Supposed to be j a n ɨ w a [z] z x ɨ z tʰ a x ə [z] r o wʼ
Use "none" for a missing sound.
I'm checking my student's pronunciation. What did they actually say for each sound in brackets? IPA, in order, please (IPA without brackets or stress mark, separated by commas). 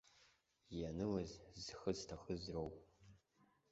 z, z